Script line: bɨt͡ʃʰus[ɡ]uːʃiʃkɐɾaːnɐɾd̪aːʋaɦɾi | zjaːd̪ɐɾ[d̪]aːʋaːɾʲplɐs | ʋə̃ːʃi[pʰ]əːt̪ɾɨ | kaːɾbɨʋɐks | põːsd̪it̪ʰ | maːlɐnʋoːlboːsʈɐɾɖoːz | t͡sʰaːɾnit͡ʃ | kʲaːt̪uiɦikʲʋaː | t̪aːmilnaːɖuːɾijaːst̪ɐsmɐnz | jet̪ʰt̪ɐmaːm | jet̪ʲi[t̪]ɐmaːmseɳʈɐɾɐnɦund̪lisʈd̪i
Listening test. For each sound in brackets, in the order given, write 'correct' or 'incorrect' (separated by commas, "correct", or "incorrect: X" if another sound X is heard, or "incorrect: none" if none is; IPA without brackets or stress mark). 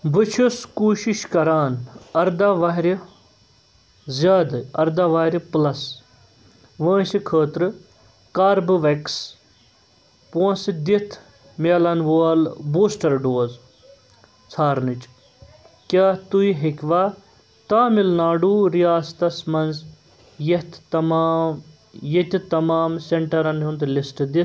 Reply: incorrect: k, correct, incorrect: kʰ, correct